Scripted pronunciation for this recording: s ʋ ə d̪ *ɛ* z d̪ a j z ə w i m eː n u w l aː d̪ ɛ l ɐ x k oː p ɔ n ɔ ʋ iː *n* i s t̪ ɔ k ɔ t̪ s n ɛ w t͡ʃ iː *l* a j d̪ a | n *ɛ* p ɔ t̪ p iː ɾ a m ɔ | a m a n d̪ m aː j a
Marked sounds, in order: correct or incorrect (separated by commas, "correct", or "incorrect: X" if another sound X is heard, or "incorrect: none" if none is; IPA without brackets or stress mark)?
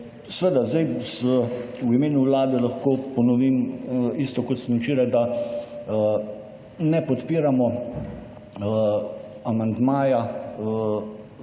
incorrect: a, incorrect: m, incorrect: ɾ, correct